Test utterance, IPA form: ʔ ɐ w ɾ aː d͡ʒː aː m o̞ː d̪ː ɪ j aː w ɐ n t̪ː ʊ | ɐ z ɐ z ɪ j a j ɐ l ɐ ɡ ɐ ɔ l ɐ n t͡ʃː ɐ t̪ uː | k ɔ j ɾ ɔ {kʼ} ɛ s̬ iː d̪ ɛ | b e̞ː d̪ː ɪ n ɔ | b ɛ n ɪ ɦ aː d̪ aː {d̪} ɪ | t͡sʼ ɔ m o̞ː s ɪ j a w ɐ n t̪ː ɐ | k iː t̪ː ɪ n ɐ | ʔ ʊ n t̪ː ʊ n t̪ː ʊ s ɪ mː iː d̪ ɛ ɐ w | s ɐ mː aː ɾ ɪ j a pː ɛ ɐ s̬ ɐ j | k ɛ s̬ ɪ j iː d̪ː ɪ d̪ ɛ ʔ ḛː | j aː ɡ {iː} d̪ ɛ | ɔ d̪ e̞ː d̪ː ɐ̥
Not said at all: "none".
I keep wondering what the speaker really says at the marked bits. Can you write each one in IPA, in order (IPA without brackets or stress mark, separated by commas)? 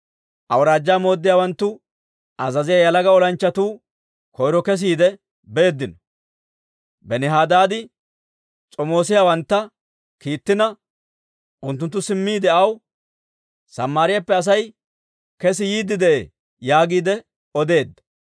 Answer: k, d̪, iː